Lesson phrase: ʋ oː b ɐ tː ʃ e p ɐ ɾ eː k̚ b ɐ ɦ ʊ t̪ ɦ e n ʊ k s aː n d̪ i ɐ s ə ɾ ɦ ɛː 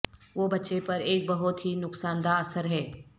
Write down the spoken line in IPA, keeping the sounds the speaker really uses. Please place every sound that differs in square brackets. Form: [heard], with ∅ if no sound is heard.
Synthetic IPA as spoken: ʋ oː b ɐ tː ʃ e p ɐ ɾ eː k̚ b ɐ ɦ ʊ t̪ ɦ [i] n ʊ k s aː n d̪ [a] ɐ s ə ɾ ɦ ɛː